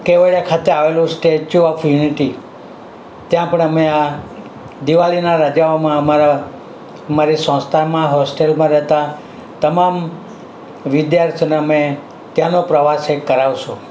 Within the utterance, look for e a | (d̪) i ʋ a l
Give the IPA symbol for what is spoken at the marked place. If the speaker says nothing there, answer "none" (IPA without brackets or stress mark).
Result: d̪